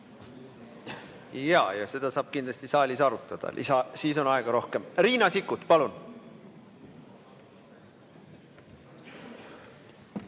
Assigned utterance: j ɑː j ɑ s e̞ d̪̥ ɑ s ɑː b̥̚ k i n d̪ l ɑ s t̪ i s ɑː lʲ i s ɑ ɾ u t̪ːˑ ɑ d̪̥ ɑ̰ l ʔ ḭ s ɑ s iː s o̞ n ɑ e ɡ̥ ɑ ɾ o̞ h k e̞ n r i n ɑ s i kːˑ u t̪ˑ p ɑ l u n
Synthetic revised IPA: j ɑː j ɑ s e̞ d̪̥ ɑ s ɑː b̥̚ k i n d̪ l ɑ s t̪ i s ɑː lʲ i s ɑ ɾ u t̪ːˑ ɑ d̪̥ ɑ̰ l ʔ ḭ s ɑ s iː s o̞ n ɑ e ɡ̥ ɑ ɾ o̞ h k e̞ m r iː n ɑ s i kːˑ u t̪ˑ p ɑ l u n

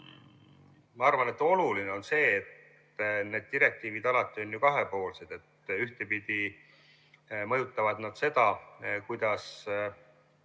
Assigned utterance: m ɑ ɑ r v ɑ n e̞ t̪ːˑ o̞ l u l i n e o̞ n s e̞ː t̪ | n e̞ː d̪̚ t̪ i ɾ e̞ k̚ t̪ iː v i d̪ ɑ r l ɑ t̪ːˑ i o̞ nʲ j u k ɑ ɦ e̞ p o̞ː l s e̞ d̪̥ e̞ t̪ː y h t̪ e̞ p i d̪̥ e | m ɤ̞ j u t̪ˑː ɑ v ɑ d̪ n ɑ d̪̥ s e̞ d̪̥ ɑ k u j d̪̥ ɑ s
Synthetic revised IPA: m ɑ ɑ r v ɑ n e̞ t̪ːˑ o̞ l u l i n e o̞ n s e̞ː t̪ | n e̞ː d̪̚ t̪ i ɾ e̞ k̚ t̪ iː v i d̪ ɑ l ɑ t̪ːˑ i o̞ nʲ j u k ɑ ɦ e̞ p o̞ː l s e̞ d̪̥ e̞ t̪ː y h t̪ e̞ p i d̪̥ i | m ɤ̞ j u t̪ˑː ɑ v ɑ d̪ n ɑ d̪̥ s e̞ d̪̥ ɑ k u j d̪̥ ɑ s

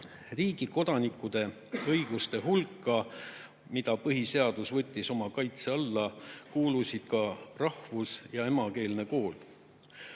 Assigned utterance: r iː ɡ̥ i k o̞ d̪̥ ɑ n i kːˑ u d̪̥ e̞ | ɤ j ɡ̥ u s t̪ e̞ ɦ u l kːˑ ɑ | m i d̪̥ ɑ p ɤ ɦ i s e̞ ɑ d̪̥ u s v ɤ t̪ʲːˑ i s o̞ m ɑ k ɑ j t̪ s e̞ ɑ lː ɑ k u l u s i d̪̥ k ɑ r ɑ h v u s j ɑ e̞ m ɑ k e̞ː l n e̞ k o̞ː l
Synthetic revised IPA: r iː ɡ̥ i k o̞ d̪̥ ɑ n i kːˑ u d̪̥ e̞ | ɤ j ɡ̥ u s t̪ e̞ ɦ u l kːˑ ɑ | m i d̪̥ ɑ p ɤ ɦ i s e̞ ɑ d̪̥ u s v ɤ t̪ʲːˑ i s o̞ m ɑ k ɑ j t̪ s e̞ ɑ lː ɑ k uː l u s i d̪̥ k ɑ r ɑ h v u s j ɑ e̞ m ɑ k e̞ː l n e̞ k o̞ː l

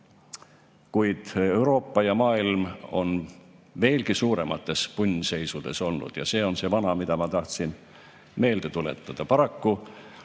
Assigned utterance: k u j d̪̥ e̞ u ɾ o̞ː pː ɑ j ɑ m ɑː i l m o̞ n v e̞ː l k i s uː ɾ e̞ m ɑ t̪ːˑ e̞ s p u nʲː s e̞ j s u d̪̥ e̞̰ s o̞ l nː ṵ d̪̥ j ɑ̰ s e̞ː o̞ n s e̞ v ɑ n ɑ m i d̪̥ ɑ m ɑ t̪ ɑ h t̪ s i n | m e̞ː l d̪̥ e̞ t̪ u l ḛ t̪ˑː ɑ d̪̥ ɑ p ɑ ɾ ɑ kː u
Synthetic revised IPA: k u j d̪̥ e̞ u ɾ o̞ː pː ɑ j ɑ m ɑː i l m o̞ n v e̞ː l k i s uː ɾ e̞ m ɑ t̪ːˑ e̞ s p u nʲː s e̞ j s u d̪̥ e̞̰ s o̞ l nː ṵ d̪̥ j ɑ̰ s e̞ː o̞ n s e̞ v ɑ n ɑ m i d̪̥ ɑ m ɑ t̪ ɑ h t̪ s i n | m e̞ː l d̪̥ e̞ t̪ u l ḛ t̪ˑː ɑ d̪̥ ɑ p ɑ ɾ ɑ kː u

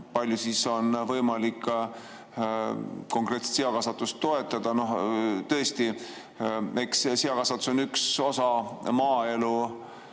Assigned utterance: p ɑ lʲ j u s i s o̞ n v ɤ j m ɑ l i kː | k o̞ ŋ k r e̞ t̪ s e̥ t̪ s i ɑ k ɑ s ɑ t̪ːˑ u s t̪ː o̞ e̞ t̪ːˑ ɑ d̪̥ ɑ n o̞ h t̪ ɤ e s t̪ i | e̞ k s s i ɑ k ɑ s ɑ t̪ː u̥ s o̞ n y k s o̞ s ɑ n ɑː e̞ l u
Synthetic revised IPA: p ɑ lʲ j u s i s o̞ n v ɤ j m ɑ l i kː | k o̞ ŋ k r e̞ t̪ s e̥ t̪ s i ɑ k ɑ s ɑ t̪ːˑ u s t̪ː o̞ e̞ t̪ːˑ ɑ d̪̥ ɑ n o̞ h t̪ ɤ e s t̪ i | e̞ k s s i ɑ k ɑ s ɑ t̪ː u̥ s o̞ n y k s o̞ s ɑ m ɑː e̞ l u

